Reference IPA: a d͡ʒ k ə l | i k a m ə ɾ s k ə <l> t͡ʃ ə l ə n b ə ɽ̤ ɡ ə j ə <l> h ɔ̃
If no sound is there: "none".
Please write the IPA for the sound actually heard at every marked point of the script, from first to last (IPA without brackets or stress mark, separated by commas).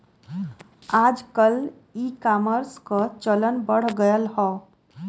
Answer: none, l